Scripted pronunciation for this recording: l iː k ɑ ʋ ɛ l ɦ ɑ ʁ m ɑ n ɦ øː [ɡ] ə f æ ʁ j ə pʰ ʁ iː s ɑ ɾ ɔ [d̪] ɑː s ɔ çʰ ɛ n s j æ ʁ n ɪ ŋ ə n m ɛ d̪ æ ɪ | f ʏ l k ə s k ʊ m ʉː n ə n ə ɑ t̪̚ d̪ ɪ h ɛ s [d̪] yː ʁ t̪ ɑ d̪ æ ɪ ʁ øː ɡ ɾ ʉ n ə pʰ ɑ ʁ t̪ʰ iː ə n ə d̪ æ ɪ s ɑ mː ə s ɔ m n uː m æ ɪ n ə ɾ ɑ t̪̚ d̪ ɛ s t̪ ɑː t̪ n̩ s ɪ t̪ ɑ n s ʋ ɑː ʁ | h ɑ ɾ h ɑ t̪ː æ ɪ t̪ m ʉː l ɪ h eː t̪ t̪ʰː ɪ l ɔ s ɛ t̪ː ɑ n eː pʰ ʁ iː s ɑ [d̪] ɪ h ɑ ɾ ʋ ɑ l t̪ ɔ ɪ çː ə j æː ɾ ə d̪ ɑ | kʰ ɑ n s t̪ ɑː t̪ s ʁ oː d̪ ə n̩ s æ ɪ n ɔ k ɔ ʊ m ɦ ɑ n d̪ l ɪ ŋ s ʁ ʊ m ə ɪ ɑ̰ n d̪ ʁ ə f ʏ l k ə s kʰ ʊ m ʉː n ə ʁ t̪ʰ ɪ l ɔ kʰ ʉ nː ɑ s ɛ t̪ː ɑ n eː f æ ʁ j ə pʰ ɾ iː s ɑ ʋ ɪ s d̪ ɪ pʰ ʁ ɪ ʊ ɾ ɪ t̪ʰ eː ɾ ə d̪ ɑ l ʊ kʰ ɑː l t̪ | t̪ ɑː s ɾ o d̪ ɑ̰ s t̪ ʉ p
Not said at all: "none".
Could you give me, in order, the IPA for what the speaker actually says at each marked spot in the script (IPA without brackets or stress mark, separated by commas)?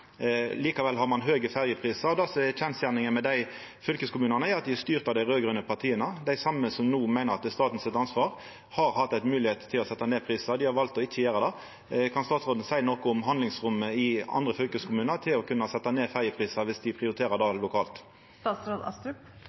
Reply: ɡ, d̪, t̪, d̪